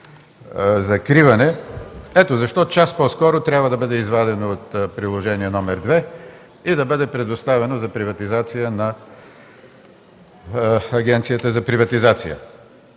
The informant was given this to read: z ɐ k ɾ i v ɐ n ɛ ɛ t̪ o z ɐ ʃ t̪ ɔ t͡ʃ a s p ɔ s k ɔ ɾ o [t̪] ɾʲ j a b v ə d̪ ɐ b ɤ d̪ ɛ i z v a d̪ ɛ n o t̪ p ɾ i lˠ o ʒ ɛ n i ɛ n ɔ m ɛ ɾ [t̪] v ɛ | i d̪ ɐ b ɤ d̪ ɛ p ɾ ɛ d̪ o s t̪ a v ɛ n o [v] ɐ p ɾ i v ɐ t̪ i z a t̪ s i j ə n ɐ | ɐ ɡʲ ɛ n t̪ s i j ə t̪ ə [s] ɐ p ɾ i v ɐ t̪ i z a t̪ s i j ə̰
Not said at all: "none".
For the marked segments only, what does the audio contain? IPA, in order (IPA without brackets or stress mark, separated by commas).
t̪, d̪, z, z